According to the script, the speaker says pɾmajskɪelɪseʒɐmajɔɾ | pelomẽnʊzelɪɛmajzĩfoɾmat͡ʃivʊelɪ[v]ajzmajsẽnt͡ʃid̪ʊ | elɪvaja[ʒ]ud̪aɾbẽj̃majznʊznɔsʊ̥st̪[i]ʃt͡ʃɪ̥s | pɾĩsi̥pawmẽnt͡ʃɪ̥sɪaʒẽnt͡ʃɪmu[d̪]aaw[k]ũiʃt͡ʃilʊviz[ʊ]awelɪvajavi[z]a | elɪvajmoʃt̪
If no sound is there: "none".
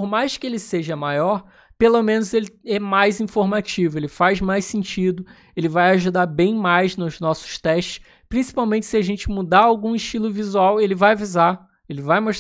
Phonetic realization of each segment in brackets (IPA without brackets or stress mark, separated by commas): f, ʒ, ɛ, d̪, ɡ, u, z